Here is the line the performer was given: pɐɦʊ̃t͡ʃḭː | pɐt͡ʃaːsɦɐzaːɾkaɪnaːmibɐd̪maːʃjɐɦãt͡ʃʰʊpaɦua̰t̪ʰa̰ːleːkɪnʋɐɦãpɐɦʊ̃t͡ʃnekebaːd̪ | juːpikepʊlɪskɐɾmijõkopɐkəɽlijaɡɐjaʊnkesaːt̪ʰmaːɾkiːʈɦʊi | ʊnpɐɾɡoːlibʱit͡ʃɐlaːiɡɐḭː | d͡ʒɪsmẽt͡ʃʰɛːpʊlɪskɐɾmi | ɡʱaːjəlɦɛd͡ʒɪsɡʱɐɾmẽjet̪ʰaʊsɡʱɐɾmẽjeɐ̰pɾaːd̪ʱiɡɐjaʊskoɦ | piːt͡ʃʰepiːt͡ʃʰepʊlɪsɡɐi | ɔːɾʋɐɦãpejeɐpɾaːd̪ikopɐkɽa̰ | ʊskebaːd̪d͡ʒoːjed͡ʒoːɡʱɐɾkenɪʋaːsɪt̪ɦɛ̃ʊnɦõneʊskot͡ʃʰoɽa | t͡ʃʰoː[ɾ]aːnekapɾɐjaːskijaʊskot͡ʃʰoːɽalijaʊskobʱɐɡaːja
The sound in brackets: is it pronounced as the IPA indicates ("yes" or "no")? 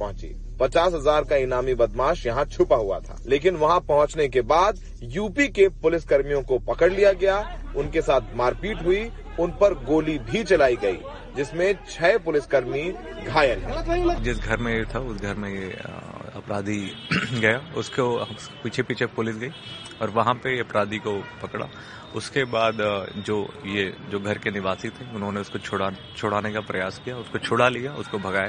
no